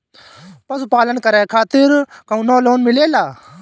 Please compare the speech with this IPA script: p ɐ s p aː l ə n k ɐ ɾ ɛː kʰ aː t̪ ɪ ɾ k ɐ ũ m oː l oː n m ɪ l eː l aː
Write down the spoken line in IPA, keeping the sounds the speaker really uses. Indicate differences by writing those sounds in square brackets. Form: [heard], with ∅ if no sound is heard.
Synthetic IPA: p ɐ s p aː l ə n k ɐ ɾ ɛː kʰ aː t̪ ɪ ɾ k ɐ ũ [n] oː l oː n m ɪ l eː l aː